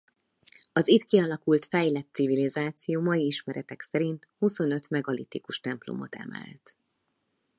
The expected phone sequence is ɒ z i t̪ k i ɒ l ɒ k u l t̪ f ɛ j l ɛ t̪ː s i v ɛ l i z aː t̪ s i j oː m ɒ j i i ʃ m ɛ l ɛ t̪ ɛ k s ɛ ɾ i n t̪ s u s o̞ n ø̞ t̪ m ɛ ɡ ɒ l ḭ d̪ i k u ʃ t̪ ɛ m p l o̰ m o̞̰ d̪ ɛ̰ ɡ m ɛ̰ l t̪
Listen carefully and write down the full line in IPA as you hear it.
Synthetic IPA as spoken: ɒ z i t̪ k i ɒ l ɒ k u l t̪ f ɛ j l ɛ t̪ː s i v i l i z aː t̪ s i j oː m ɒ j i i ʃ m ɛ ɾ ɛ t̪ ɛ k s ɛ ɾ i n t̪ h u s o̞ n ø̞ t̪ m ɛ ɡ ɒ l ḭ t̪ i k u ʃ t̪ ɛ m p l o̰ m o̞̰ t̪ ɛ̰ m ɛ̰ l t̪